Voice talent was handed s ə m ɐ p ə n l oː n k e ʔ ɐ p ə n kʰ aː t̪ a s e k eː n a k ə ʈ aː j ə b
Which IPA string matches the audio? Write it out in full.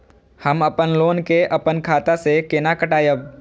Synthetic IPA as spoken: h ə m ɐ p ə n l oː n k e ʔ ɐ p ə n kʰ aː t̪ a s e k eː n a k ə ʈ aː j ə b